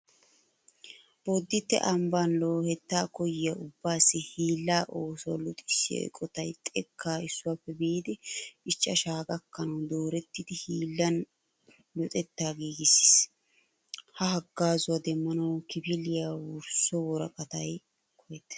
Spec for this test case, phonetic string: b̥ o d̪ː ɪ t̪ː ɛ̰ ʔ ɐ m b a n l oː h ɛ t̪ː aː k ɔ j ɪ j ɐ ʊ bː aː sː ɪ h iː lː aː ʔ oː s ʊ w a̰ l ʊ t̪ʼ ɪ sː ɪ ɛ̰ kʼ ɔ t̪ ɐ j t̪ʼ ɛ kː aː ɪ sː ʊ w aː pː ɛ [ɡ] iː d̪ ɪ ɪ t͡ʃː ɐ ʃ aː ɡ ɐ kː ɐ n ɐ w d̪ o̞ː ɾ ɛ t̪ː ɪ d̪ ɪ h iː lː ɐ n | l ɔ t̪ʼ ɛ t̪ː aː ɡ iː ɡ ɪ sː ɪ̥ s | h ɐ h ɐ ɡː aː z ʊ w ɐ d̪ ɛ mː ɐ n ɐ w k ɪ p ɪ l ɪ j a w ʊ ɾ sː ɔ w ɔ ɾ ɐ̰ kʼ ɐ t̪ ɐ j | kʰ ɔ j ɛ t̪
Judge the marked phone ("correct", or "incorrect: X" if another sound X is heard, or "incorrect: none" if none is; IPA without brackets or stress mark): incorrect: b